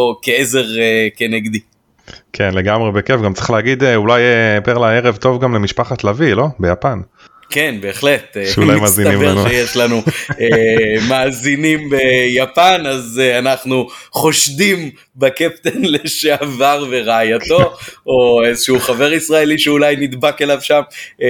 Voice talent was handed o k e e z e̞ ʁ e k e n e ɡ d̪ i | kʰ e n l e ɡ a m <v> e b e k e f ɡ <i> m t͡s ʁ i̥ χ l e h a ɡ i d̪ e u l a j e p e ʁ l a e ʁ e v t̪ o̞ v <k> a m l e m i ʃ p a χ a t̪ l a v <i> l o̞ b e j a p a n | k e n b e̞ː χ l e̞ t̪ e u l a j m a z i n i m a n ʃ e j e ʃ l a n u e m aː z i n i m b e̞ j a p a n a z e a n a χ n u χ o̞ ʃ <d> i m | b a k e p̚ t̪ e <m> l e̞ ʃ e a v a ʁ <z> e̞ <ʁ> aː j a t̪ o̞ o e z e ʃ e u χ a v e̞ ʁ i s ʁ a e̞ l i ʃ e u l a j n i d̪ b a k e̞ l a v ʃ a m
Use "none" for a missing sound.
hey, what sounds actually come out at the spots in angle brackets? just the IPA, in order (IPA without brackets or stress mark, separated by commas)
ʁ, a, ɡ, i, d, n, v, ʁ